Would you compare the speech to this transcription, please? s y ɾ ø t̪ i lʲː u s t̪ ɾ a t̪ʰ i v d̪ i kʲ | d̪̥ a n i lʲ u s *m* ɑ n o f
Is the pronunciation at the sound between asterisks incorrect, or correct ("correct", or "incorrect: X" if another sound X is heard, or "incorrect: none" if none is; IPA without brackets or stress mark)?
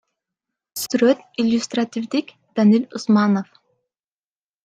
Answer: correct